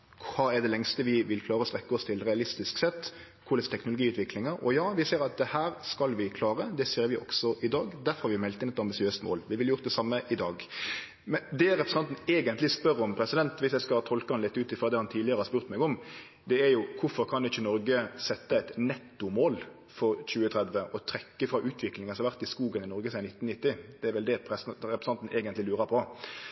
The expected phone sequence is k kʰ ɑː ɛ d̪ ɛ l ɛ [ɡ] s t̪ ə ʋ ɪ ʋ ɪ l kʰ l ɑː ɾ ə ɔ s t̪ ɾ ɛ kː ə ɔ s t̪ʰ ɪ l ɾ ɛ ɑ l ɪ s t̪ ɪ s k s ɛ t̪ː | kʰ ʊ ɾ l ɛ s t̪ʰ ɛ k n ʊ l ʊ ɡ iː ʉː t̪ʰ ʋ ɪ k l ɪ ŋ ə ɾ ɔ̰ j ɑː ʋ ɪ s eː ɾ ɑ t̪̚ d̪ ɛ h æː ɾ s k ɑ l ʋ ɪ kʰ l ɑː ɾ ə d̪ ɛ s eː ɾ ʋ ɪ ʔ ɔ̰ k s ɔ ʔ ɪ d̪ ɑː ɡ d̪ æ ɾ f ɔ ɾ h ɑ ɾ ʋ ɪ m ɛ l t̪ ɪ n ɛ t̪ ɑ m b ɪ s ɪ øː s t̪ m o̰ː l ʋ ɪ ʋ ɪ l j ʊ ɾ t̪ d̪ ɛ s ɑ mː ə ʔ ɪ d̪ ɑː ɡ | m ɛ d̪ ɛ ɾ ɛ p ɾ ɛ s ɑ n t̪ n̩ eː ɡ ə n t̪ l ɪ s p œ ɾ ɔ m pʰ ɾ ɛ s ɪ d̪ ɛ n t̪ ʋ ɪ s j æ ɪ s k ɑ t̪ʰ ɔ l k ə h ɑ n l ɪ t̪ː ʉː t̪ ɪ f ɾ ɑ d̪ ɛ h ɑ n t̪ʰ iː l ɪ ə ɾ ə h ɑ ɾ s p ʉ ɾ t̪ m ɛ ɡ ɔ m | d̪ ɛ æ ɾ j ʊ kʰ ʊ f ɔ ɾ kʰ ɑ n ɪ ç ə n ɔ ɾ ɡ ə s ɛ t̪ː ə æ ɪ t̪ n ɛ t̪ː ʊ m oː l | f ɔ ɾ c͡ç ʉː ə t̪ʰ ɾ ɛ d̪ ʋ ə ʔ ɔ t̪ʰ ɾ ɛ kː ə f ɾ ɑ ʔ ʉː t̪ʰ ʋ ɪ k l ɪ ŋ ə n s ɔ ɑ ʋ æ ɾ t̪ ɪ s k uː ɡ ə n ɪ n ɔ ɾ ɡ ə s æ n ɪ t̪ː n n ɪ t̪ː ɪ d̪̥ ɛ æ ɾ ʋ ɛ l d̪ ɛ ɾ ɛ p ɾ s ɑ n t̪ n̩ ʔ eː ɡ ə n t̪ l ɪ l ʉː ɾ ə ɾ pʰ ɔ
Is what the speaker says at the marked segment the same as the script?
no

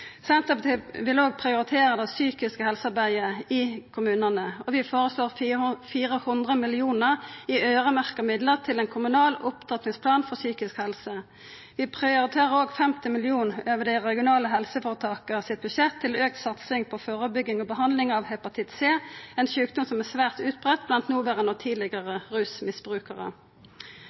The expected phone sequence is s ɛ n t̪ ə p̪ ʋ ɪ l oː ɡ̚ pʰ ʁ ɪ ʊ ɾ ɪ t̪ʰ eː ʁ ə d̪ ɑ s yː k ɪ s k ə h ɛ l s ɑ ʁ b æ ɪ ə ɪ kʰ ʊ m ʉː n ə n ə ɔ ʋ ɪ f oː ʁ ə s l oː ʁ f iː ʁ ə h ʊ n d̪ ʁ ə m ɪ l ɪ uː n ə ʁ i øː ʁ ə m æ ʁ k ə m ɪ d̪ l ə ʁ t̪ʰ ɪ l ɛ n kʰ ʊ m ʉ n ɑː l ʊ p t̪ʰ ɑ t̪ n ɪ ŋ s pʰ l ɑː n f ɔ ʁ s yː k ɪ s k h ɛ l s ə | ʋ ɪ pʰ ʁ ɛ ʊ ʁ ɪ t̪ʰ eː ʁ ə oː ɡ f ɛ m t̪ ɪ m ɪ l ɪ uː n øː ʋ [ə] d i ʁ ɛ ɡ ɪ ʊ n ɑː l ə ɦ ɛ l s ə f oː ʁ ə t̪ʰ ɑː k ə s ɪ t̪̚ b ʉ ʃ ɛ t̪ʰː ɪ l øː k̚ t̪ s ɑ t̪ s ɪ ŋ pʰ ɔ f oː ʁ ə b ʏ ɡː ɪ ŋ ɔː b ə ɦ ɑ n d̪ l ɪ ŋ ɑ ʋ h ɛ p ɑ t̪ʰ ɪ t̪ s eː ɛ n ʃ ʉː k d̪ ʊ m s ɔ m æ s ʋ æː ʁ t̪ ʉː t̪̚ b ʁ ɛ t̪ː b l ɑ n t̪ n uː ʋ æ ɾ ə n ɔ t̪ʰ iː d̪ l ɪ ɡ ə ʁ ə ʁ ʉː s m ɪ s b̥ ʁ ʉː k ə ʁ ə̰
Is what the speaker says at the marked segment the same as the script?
yes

